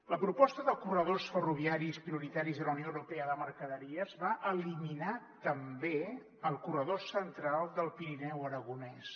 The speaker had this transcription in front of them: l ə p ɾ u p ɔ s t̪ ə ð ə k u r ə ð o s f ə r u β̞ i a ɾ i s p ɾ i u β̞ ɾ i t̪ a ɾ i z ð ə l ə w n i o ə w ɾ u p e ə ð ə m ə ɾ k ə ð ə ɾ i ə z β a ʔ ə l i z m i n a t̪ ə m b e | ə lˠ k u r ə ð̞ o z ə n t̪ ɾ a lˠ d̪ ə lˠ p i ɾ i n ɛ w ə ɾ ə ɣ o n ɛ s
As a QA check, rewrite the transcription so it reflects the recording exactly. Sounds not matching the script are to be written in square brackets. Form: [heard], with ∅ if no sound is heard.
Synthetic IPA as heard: l ə p ɾ u p ɔ s t̪ ə ð ə k u r ə ð o s f ə r u β̞ i a ɾ i s p ɾ i u [∅] ɾ i t̪ a ɾ i z ð ə l ə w n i o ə w ɾ u p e ə ð ə m ə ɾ k ə ð ə ɾ i ə z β a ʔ ə l i [∅] m i n a t̪ ə m b e | ə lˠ k u r ə ð̞ o [s] ə n t̪ ɾ a lˠ d̪ ə lˠ p i ɾ i n ɛ w ə ɾ ə ɣ [u] n ɛ s

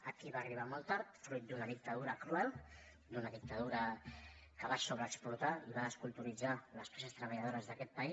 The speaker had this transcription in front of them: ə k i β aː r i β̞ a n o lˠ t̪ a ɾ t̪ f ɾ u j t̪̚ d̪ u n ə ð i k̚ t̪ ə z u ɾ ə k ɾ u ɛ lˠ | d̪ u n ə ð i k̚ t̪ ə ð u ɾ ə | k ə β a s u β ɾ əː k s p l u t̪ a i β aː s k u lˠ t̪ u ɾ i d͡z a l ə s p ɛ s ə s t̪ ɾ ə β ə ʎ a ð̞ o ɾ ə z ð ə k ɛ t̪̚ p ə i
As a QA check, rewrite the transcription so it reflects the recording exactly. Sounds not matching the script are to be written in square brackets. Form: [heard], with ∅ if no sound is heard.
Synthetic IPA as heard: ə k i β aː r i β̞ a [m] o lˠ t̪ a ɾ t̪ f ɾ u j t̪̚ d̪ u n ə ð i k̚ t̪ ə [ð] u ɾ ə k ɾ u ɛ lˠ | d̪ u n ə ð i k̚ t̪ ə ð u ɾ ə | k ə β a s [o] β ɾ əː k s p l u t̪ a i β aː s k u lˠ t̪ u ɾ i d͡z a l ə s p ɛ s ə s t̪ ɾ ə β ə ʎ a ð̞ o ɾ ə z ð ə k ɛ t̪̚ p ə i

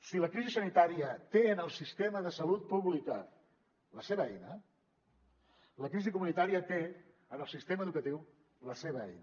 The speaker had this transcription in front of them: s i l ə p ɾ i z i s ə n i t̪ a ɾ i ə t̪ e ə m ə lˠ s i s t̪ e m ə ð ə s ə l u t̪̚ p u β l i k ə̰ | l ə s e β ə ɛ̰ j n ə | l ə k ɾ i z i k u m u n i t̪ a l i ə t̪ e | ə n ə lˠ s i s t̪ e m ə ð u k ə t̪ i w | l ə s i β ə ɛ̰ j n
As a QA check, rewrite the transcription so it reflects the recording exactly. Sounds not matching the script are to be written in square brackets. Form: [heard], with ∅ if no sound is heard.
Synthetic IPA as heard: s i l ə [k] ɾ i z i s ə n i t̪ a ɾ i ə t̪ e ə [n] ə lˠ s i s t̪ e m ə ð ə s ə l u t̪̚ p u β l i k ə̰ | l ə s e β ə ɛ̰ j n ə | l ə k ɾ i z i k u m u n i t̪ a [ɾ] i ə t̪ e | ə n ə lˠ s i s t̪ e m ə ð u k ə t̪ i w | l ə s [e] β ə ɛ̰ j n

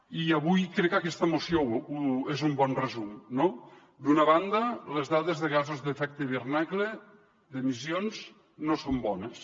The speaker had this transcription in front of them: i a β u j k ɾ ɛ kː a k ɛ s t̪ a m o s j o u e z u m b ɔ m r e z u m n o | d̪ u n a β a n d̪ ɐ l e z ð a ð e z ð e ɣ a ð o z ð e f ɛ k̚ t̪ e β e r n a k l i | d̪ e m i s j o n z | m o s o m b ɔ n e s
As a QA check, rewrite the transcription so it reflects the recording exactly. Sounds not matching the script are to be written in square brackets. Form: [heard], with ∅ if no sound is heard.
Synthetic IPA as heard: i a β u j k ɾ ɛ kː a k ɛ s t̪ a m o s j o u e z u m b ɔ [n] r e z u m n o | d̪ u n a β a n d̪ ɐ l e z ð a ð e z ð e ɣ a [z] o z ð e f ɛ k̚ t̪ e β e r n a k l [e] | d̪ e m i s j o n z | [n] o s o m b ɔ n e s

